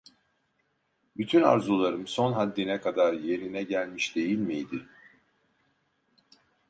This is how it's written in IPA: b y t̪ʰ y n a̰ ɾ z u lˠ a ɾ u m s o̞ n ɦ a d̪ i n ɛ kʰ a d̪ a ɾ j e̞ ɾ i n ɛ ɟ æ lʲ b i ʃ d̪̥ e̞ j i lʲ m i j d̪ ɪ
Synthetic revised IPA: b y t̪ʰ y n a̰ ɾ z u lˠ a ɾ ɯ m s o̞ n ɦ a d̪ː i n ɛ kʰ a d̪ a ɾ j e̞ ɾ i n ɛ ɟ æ lʲ m i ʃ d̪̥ e̞ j i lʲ m i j d̪ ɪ

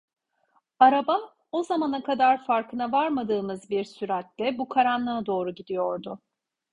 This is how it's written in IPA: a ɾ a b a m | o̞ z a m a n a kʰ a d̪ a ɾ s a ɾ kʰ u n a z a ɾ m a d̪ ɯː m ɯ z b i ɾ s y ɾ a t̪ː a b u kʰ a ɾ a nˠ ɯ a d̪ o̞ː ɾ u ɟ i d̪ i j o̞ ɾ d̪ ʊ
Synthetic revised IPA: a ɾ a b a m | o̞ z a m a n a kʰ a d̪ a ɾ f a ɾ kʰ ɯ n a v a ɾ m a d̪ ɯː m ɯ z b i ɾ s y ɾ a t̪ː ɛ b u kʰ a ɾ a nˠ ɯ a d̪ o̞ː ɾ u ɟ i d̪ i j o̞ ɾ d̪ ʊ

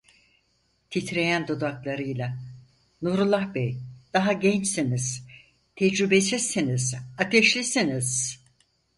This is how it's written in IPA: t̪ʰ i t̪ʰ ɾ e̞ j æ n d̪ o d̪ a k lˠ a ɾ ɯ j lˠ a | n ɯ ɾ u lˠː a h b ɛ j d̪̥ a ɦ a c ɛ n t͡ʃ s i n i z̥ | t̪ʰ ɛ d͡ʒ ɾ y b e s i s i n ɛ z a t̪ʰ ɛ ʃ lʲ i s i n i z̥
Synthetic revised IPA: t̪ʰ i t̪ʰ ɾ e̞ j æ n d̪ o d̪ a k lˠ a ɾ ɯ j lˠ a | n u ɾ u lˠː a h b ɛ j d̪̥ a ɦ a ɟ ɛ n t͡ʃ s i n i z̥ | t̪ʰ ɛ d͡ʒ ɾ y b e s i s i n i z a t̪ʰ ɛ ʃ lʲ i s i n i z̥

